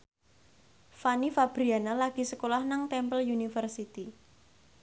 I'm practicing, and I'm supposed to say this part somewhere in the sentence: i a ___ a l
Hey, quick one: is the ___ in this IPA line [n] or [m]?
n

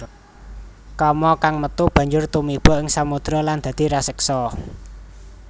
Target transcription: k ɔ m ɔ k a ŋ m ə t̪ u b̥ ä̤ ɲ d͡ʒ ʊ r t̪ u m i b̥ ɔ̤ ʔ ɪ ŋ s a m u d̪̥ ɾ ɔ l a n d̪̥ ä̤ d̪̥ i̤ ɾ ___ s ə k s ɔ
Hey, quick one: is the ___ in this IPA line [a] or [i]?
a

